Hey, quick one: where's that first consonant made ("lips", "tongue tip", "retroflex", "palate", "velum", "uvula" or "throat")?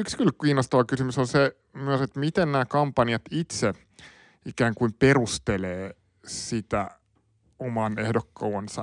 velum